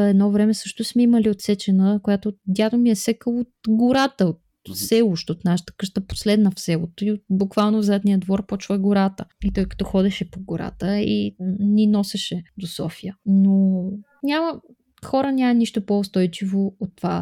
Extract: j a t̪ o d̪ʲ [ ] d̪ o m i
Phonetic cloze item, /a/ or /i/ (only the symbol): a